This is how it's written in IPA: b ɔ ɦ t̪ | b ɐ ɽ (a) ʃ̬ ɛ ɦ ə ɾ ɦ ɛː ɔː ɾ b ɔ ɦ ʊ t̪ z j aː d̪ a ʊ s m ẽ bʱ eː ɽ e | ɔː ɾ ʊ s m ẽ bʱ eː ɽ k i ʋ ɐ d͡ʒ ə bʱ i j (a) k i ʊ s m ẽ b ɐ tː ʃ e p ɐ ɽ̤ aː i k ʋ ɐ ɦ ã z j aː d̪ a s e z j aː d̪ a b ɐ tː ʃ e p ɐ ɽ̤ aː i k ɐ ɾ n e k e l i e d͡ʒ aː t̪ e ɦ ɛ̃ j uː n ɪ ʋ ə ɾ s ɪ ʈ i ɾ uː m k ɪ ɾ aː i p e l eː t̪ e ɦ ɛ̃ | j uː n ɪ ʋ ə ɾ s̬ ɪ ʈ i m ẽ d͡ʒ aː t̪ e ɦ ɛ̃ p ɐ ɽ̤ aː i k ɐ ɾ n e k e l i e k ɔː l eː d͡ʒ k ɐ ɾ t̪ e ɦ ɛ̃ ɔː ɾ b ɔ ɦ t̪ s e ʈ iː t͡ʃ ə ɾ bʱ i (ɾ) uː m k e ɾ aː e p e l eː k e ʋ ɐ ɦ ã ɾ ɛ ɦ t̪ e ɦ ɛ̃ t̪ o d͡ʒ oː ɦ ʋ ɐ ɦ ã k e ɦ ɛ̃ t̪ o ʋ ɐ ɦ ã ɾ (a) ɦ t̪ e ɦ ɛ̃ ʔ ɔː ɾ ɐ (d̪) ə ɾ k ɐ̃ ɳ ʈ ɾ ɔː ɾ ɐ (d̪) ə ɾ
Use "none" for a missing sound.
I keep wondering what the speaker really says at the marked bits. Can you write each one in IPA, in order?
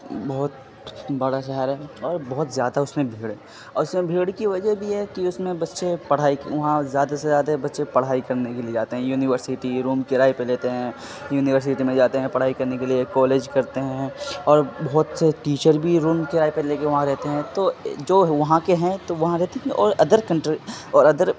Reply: a, ɛ, ɾ, ɛ, d̪, d̪

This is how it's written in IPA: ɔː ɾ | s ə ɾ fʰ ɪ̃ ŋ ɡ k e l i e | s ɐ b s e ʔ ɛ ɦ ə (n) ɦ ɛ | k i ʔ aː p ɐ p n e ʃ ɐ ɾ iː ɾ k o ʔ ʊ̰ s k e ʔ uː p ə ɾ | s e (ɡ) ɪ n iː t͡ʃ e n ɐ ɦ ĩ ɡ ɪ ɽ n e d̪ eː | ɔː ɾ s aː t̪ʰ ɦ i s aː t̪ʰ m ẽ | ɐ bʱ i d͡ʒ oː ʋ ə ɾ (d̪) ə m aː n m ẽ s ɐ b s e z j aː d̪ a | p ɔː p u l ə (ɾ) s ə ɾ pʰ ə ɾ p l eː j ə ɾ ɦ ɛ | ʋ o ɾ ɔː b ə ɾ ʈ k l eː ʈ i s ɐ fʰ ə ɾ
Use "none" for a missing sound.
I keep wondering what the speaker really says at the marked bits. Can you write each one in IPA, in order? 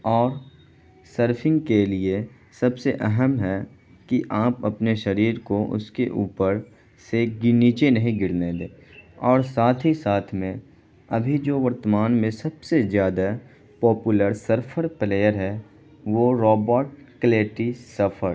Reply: m, ɡ, t̪, ɾ

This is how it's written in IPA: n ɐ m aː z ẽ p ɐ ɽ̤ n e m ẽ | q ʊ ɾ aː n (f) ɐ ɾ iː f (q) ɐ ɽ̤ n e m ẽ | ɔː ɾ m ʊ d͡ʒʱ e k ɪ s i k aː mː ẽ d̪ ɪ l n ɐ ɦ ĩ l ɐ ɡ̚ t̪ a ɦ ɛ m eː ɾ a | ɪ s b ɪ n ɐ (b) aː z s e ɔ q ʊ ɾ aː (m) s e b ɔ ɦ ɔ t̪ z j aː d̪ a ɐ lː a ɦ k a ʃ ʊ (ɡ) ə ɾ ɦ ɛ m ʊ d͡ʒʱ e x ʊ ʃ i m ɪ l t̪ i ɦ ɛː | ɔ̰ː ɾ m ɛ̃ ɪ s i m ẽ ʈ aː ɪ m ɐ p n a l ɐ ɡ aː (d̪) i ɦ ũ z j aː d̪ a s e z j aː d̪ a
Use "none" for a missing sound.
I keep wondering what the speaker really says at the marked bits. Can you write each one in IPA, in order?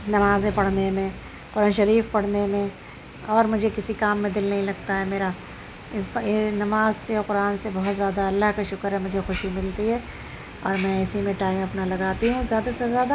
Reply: ʃ, p, m, n, k, t̪

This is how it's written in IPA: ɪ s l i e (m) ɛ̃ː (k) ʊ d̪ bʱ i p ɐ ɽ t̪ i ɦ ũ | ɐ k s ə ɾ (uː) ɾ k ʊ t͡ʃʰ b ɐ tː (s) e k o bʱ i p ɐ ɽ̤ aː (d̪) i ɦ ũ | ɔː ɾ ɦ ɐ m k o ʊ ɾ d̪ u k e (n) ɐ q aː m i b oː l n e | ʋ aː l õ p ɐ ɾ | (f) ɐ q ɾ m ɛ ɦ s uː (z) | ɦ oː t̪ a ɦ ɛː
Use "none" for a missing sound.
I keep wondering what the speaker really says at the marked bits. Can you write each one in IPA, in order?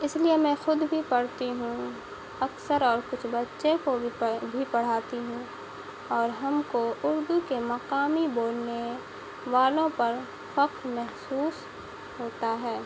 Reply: m, x, ɔː, ʃ, t̪, m, f, s

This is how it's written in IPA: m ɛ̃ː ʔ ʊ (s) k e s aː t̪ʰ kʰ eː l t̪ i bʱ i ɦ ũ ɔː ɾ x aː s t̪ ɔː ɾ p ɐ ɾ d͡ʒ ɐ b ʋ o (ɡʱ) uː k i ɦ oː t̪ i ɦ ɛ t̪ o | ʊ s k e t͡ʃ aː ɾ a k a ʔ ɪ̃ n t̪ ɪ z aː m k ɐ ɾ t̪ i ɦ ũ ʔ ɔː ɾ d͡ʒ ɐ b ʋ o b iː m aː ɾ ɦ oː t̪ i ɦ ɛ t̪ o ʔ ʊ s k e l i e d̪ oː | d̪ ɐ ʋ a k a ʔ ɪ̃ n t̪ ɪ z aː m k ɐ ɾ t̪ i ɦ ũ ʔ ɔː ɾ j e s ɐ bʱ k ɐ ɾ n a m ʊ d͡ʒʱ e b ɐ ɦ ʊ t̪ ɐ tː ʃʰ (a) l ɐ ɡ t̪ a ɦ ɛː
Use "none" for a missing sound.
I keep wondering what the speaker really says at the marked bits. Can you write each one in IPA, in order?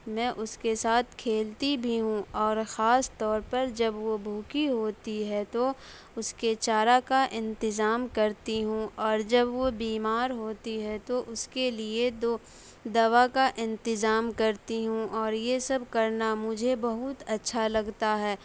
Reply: s, bʱ, a

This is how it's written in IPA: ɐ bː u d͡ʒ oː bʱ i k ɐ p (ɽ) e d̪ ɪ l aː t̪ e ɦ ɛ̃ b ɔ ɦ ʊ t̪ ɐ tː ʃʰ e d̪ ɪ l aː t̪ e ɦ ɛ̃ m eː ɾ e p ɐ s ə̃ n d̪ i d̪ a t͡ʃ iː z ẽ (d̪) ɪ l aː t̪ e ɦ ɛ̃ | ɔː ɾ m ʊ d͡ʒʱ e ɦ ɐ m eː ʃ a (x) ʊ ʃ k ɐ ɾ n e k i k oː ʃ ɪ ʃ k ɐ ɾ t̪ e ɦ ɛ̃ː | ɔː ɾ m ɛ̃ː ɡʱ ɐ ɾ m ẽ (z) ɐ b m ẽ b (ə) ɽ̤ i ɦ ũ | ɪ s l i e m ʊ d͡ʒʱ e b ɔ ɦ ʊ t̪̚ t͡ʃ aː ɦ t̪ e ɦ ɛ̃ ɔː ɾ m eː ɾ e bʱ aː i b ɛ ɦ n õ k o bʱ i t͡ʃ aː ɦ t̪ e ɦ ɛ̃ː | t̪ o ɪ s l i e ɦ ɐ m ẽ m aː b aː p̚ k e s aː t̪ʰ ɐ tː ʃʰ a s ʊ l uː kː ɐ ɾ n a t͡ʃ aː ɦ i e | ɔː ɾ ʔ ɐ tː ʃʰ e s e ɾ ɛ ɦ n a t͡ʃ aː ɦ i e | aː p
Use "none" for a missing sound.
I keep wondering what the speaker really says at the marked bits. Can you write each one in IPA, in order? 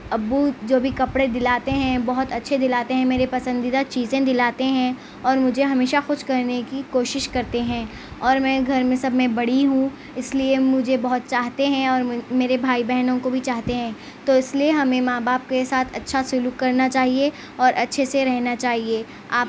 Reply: ɽ, d̪, x, s, ɐ

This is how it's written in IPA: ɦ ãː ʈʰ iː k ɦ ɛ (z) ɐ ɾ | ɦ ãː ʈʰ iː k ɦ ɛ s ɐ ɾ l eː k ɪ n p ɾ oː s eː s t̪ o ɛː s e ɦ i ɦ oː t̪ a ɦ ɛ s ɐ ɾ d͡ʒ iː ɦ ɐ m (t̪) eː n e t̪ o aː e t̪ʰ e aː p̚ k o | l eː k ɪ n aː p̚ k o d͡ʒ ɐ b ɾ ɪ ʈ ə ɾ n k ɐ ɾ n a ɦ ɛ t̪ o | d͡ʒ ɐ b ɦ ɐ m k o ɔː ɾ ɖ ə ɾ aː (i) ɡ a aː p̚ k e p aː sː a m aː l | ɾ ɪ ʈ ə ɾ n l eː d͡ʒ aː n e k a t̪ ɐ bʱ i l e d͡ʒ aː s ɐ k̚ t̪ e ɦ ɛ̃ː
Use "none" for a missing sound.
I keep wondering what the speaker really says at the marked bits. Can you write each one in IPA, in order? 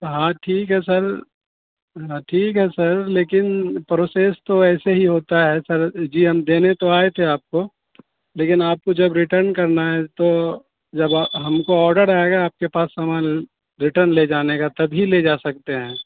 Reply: s, d̪, e

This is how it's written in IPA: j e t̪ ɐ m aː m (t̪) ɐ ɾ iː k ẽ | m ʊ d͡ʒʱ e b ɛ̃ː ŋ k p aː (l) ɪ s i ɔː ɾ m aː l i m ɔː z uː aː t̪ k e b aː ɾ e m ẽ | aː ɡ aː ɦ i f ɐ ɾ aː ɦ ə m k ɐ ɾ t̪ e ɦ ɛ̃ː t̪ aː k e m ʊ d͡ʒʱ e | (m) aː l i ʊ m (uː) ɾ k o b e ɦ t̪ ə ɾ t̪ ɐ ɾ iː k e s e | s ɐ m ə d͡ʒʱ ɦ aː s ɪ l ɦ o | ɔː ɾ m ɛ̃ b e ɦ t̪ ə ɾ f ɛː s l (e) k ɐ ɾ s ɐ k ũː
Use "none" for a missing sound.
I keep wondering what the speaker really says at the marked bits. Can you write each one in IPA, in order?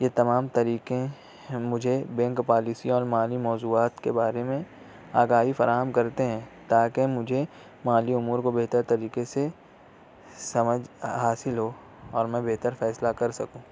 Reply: t̪, l, m, uː, a

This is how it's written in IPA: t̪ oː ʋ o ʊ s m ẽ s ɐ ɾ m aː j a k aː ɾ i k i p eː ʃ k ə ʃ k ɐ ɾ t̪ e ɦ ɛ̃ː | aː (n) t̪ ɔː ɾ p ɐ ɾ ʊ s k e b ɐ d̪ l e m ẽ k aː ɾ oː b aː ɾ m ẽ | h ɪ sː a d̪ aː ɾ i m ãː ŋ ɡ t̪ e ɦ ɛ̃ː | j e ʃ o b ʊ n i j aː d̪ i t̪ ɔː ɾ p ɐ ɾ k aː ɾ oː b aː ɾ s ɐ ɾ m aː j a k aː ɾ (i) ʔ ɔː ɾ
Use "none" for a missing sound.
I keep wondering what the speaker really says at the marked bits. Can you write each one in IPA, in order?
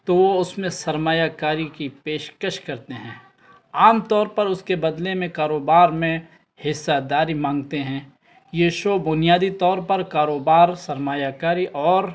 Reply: m, i

